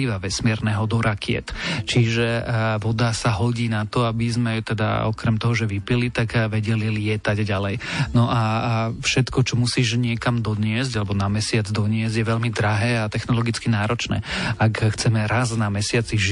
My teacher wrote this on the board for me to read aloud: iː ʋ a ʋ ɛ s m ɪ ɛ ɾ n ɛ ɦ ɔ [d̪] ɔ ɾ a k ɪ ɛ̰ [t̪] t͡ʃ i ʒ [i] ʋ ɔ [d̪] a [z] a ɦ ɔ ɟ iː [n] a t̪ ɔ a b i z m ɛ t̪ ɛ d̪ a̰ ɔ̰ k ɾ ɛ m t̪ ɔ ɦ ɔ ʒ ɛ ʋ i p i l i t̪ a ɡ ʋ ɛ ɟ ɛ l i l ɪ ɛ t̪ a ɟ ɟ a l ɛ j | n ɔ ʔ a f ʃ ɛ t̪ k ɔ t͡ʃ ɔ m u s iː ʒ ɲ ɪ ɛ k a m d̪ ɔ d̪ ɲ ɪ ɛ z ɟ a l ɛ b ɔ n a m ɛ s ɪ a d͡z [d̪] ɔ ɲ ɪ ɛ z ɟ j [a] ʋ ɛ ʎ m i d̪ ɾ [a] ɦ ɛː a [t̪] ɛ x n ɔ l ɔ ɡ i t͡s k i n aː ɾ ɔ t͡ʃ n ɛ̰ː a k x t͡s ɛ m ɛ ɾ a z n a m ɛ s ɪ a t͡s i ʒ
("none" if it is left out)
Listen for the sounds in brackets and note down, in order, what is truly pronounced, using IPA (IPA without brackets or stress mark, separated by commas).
d̪, t̪, ɛ, d̪, s, n, d̪, ɛ, a, t̪